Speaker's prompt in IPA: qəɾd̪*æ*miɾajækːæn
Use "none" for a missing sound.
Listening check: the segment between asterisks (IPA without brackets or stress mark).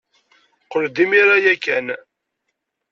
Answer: i